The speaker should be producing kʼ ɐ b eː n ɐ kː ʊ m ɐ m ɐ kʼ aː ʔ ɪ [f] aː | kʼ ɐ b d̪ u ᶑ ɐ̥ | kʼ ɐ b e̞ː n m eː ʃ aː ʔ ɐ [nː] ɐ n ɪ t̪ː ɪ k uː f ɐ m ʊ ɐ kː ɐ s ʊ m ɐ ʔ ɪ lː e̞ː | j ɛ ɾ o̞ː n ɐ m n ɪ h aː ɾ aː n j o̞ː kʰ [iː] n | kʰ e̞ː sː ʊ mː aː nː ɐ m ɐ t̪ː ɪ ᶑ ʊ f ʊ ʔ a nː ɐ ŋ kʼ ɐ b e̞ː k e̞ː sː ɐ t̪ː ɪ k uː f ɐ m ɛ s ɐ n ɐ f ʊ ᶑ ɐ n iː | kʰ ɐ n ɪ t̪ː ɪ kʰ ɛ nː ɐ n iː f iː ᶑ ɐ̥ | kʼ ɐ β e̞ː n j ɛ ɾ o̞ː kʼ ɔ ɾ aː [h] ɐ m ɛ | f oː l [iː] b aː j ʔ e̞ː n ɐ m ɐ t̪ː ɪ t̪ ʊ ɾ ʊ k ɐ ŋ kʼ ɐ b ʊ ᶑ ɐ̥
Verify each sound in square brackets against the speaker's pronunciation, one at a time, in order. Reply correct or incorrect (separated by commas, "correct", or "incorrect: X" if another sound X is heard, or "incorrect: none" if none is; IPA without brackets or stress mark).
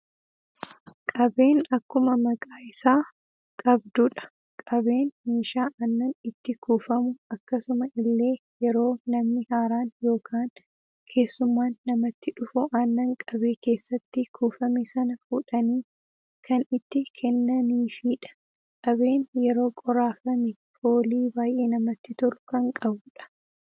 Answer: incorrect: s, correct, incorrect: aː, incorrect: f, correct